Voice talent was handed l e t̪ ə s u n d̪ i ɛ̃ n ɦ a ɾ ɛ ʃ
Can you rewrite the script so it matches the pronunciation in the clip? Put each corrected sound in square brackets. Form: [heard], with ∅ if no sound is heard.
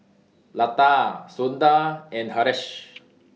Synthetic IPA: l [a] t̪ [a] s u n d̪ [a] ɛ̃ n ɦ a ɾ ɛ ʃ